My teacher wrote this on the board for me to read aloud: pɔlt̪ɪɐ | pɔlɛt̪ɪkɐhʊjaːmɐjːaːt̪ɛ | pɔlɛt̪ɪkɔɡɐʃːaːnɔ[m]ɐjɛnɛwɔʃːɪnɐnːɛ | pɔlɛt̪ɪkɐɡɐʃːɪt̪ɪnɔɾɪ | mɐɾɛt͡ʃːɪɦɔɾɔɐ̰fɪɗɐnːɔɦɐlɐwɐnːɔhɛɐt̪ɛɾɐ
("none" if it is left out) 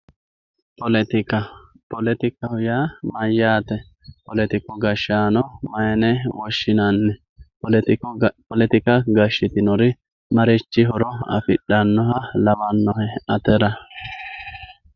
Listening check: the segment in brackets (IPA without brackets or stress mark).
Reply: m